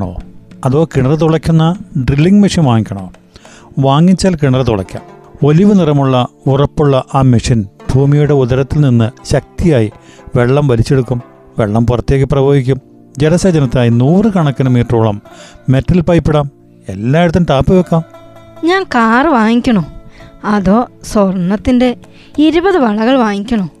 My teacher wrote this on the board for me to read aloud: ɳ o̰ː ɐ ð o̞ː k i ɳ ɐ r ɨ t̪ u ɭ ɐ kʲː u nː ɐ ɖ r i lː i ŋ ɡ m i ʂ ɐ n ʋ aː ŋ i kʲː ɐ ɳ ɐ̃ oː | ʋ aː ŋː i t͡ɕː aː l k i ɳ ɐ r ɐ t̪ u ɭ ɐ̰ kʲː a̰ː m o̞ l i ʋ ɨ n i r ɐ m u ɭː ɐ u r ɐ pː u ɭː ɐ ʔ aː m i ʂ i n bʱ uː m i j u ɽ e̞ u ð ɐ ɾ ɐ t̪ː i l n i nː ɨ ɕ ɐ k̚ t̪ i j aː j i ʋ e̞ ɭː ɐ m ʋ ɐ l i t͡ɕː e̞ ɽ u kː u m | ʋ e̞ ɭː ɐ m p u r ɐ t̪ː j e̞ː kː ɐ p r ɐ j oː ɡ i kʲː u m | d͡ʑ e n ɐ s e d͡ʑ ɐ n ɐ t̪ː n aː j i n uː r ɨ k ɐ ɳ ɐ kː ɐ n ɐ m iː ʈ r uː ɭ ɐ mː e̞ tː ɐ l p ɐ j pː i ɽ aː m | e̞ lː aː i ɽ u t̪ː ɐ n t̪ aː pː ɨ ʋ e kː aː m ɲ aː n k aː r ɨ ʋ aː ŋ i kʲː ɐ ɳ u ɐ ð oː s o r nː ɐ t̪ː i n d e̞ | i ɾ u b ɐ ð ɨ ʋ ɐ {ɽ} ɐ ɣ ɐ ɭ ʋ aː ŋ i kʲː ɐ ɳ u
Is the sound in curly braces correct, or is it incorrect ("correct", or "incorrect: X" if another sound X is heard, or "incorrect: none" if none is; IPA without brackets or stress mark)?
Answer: incorrect: ɭ